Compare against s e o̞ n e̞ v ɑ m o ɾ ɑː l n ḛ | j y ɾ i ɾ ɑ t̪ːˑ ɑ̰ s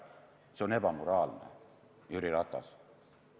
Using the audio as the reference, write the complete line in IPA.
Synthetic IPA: s e o̞ n e̞ b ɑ m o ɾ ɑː l n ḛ | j y ɾ i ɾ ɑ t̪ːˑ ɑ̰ s